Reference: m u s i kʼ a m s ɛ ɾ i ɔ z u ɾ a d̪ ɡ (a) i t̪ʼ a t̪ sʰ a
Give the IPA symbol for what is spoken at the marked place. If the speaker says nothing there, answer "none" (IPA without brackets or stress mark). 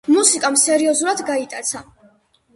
a